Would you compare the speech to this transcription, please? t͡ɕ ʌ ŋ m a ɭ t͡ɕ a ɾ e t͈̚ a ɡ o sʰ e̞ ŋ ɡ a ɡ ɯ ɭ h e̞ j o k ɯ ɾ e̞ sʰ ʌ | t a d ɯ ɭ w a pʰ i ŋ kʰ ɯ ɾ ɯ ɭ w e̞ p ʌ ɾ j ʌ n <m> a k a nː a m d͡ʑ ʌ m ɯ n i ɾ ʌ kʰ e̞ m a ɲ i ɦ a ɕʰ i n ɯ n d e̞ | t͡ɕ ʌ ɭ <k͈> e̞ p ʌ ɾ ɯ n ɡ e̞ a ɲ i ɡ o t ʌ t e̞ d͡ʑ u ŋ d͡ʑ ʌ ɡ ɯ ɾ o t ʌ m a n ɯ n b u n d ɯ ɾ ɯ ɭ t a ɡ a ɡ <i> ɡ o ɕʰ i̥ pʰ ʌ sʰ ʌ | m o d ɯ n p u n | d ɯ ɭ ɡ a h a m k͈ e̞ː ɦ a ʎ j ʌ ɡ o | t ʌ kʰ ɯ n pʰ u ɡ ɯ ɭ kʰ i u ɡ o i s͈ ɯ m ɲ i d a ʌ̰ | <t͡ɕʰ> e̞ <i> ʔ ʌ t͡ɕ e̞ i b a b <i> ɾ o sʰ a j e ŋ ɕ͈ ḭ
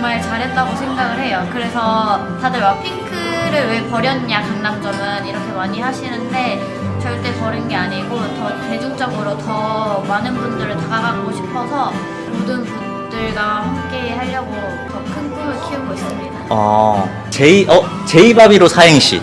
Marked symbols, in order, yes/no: no, no, no, no, yes, yes

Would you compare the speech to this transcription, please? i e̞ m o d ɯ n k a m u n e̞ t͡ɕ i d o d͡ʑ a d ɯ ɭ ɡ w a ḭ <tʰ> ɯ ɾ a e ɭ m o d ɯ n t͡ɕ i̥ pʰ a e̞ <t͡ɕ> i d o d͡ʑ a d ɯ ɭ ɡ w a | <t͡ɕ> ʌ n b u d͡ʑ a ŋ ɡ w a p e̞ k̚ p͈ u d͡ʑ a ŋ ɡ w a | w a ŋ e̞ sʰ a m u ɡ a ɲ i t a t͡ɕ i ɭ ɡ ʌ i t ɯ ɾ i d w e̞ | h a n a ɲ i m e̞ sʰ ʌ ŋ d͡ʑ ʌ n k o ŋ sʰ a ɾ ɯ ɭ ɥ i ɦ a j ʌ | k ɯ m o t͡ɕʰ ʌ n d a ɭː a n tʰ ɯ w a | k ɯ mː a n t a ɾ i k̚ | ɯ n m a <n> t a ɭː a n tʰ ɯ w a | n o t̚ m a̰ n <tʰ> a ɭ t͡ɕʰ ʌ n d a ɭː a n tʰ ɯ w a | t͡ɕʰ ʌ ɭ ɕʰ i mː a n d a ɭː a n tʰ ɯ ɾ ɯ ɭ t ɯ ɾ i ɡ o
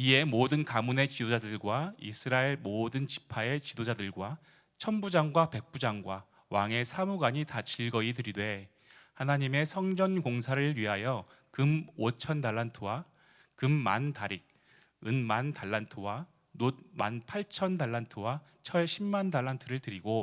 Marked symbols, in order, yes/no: no, yes, no, yes, no

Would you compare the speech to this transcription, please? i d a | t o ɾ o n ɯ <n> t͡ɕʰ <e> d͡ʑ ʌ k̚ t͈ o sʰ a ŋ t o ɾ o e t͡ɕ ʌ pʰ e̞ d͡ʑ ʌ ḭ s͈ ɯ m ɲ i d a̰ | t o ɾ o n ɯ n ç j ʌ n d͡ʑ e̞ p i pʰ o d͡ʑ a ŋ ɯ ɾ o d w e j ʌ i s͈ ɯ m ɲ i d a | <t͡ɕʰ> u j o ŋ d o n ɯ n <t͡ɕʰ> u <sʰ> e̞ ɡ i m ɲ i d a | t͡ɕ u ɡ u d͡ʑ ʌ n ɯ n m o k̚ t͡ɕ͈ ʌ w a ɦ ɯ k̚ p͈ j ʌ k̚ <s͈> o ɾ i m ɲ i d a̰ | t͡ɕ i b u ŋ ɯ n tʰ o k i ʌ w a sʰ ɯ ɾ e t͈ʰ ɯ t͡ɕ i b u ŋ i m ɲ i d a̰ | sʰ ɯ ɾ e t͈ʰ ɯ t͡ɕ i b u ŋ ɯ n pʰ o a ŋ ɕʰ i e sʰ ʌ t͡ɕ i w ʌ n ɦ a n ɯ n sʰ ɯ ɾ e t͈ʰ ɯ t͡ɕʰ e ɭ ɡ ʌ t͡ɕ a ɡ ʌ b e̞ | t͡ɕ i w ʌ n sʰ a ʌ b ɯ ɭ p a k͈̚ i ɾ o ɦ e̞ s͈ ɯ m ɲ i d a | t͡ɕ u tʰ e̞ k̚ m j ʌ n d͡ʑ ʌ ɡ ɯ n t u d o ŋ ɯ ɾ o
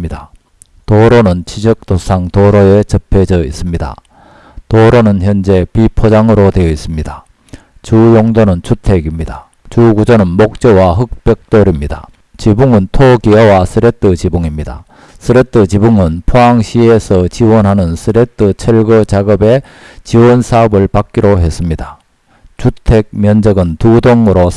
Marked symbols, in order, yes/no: yes, no, no, yes, no, no

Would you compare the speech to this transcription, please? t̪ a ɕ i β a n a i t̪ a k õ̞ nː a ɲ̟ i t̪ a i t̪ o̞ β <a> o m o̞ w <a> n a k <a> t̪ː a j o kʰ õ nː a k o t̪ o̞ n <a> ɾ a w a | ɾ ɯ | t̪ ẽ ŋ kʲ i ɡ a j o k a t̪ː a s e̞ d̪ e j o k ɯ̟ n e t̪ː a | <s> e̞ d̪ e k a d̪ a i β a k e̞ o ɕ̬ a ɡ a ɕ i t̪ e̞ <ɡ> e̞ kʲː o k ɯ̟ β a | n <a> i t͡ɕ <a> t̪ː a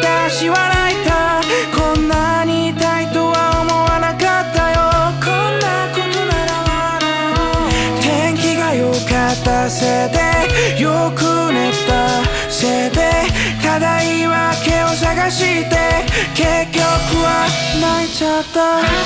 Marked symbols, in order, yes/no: yes, yes, yes, yes, yes, no, yes, yes

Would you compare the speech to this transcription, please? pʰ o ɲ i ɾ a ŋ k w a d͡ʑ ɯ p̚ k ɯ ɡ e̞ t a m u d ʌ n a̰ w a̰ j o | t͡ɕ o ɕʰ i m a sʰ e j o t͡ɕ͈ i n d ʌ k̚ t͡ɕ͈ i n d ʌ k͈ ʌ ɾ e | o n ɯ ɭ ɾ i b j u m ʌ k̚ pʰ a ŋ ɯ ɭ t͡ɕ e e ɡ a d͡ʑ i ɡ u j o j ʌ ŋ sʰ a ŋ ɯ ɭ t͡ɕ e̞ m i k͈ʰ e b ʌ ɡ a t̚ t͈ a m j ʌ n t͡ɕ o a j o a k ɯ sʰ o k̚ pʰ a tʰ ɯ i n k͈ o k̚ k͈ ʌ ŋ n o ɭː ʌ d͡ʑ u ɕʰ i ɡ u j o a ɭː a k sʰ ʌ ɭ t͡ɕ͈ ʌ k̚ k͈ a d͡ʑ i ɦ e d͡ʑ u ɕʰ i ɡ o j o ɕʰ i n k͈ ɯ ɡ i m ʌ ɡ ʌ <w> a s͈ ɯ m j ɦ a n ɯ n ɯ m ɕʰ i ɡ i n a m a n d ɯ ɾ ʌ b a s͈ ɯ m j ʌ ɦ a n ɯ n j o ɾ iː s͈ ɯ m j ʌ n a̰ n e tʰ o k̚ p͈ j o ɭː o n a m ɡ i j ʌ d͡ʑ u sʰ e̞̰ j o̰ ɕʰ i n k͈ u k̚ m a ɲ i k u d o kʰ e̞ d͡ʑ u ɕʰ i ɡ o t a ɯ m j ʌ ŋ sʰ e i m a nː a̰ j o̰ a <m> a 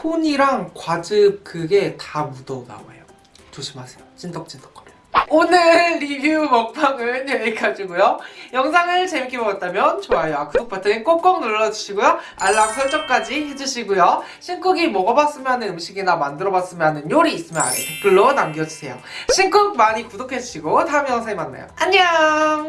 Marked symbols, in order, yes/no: no, no

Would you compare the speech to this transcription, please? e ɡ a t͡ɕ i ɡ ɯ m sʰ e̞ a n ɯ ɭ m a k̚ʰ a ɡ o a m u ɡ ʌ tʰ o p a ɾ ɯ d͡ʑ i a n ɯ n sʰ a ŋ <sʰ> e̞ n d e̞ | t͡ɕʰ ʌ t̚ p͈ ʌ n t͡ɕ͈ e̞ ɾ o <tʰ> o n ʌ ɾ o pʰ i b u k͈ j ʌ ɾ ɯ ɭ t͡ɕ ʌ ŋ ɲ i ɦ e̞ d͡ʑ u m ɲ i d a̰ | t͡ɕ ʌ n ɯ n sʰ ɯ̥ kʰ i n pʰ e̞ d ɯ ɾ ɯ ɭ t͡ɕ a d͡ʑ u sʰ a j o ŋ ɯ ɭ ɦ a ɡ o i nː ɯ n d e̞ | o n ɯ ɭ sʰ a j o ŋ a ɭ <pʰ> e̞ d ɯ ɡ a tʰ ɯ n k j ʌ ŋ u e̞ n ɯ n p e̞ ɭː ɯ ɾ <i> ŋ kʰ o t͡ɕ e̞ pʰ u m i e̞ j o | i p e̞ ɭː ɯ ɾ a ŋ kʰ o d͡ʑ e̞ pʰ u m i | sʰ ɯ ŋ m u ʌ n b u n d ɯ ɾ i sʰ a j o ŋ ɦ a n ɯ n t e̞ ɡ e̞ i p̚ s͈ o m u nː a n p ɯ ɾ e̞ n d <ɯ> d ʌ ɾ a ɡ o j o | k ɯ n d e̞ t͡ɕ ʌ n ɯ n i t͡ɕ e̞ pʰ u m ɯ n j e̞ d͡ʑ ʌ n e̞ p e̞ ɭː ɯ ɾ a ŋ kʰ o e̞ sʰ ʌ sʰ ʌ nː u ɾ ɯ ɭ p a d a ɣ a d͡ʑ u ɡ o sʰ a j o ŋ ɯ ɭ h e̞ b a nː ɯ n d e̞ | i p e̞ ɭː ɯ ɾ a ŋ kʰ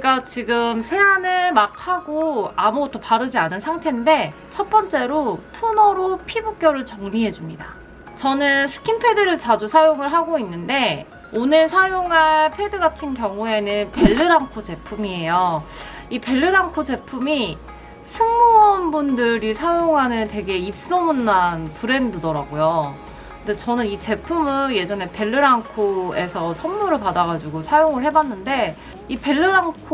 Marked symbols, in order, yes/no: no, yes, yes, no, yes

